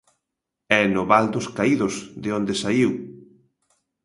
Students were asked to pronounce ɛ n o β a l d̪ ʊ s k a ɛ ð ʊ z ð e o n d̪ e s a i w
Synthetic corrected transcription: ɛ n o β a l d̪ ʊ s k a i ð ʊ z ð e o n d̪ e s a i w